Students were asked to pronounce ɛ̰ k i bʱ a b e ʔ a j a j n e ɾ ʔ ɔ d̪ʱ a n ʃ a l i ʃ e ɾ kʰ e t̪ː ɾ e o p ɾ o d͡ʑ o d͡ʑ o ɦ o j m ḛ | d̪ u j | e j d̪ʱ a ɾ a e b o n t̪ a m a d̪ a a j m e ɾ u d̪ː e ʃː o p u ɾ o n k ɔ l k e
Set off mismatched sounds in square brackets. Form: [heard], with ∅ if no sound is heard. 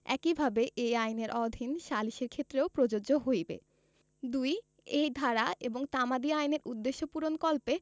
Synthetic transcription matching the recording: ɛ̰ k i bʱ a b e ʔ [e] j a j n e ɾ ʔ ɔ d̪ʱ [i] n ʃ a l i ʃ e ɾ kʰ e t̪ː ɾ e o p ɾ o d͡ʑ o d͡ʑ o ɦ o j [b] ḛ | d̪ u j | e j d̪ʱ a ɾ a e b o [ŋ] t̪ a m a d̪ [i] a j [n] e ɾ u d̪ː e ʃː o p u ɾ o n k ɔ l [p] e